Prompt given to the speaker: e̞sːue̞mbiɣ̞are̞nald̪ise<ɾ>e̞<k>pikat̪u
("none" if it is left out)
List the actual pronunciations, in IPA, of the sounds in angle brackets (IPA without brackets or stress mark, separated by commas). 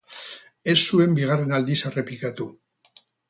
r, none